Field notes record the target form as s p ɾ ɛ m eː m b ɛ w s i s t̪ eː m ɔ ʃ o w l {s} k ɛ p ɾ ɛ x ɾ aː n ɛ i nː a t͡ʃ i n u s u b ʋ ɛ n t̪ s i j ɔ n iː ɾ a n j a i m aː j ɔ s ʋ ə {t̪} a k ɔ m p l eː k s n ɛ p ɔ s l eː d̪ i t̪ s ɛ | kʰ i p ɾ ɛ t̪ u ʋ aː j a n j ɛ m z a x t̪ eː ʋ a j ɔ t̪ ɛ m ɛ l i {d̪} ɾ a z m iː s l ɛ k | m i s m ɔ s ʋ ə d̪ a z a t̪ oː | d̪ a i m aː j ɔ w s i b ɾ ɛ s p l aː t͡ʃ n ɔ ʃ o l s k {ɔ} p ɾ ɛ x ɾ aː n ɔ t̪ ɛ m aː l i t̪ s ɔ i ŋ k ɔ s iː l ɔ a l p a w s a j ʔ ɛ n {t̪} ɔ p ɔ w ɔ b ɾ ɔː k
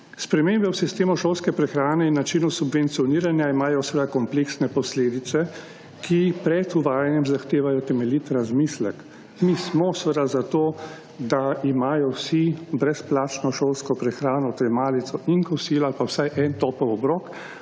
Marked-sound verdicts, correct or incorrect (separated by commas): correct, incorrect, incorrect, correct, correct